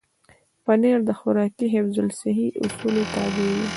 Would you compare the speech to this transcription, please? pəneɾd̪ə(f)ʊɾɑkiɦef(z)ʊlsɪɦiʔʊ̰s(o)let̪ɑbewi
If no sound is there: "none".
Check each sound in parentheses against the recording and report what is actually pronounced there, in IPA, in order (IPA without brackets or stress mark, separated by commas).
x, z, u